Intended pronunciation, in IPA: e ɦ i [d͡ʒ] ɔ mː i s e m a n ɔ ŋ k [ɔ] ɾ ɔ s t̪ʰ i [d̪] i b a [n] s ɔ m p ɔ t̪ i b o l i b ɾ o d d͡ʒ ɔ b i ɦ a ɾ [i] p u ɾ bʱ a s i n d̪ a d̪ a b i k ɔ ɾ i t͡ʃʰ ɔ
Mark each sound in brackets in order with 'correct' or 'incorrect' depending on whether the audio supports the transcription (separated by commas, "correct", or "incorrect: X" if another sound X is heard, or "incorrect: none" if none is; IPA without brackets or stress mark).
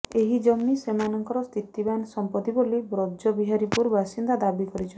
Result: correct, correct, incorrect: t̪, correct, correct